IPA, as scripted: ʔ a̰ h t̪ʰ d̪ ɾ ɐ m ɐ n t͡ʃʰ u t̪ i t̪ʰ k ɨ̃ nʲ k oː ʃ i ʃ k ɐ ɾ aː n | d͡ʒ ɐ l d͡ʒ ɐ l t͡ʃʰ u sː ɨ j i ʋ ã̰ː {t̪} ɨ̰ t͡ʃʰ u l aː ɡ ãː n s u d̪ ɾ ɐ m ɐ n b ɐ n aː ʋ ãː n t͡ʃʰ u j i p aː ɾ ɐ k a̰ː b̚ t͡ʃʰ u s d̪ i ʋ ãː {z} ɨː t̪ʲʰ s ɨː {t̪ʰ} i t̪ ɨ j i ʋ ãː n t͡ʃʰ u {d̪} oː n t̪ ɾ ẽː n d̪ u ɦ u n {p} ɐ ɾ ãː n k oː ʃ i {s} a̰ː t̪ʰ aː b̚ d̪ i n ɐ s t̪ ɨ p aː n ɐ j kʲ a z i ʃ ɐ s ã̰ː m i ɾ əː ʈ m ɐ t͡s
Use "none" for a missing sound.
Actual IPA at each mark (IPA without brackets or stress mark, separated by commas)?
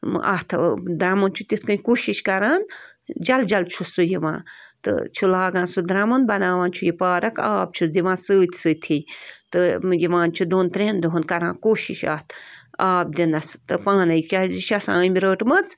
t̪, s, t̪ʰ, d̪, k, ʃ